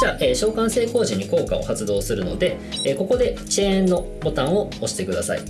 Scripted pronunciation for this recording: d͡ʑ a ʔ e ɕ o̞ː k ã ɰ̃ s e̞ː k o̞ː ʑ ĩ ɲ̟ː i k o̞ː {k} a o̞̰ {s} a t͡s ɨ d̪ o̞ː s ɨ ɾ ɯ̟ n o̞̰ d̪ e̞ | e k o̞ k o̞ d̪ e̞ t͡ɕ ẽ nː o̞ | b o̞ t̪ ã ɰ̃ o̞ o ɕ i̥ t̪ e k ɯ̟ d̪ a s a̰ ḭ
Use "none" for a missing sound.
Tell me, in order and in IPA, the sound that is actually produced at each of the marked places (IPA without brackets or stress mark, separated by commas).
k, h